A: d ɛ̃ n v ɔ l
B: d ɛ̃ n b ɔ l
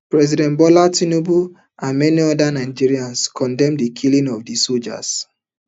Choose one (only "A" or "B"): B